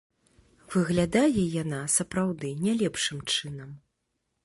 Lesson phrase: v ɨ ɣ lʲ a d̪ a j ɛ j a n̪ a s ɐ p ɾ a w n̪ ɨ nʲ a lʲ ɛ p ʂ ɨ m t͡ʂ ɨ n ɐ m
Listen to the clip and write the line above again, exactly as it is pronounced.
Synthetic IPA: v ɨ ɣ lʲ a d̪ a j ɛ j a n̪ a s ɐ p ɾ a w d̪ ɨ nʲ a lʲ ɛ p ʂ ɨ m t͡ʂ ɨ n ɐ m